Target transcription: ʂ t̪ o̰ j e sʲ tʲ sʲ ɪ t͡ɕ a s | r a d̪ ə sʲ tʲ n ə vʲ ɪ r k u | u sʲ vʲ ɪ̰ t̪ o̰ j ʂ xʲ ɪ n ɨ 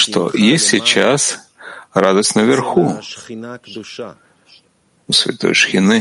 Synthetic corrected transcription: ʂ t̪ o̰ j e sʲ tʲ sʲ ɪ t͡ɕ a s | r a d̪ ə sʲ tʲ n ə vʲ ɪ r x u | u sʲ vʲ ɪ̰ t̪ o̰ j ʂ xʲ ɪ n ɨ